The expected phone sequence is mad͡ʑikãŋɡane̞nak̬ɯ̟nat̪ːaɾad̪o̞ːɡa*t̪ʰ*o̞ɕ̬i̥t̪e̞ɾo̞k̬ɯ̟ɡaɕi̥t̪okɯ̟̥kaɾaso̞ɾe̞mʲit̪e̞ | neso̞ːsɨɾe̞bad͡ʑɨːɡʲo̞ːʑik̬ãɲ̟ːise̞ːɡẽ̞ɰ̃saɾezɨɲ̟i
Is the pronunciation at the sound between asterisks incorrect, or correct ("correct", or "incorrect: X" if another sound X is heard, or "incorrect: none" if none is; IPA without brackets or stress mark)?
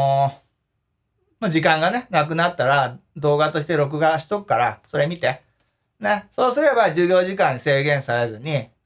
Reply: incorrect: t̪